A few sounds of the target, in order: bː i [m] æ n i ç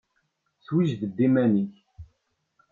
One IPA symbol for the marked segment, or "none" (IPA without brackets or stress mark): m